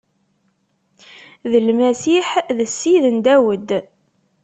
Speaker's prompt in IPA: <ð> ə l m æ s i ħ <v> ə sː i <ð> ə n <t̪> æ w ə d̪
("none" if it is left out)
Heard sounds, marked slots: ð, ð, ð, d̪

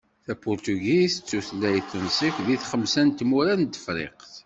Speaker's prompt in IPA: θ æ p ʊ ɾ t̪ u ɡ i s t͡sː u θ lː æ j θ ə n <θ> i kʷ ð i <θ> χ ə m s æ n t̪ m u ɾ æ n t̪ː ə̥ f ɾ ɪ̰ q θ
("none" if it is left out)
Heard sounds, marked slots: s, θ

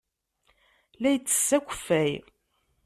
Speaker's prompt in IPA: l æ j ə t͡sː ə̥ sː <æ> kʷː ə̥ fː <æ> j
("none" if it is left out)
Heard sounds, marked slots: æ, æ

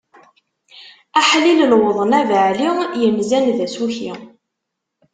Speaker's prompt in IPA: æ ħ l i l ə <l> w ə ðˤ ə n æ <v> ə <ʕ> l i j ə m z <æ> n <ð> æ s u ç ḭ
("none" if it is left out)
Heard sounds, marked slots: l, v, ʕ, æ, ð

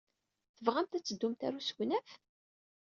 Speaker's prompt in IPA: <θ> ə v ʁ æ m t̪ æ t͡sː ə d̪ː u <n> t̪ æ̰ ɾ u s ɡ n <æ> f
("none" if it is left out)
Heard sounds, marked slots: θ, m, æ

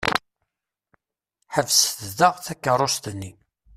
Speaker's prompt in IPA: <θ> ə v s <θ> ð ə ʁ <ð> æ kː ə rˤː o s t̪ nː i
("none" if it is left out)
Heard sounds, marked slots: ħ, θ, θ

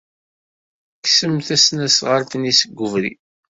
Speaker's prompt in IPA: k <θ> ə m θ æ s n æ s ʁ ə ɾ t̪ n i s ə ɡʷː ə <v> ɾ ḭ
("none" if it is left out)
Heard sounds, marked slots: s, v

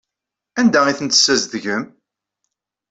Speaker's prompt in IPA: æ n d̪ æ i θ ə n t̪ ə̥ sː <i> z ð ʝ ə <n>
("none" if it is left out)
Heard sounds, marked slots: æ, m

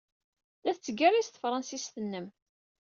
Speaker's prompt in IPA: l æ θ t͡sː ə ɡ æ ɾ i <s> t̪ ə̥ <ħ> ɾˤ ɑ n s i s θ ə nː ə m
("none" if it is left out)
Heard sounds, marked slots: s, f

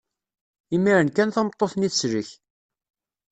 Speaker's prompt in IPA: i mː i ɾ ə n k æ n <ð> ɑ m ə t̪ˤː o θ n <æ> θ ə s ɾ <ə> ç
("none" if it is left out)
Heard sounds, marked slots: θ, i, ə

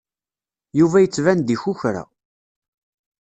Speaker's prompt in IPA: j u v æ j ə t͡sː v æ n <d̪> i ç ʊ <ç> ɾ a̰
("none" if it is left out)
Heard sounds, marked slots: d̪, ç

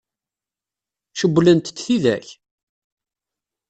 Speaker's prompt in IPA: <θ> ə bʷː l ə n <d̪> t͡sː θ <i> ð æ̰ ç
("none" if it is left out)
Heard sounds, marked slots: ʃ, t̪, i

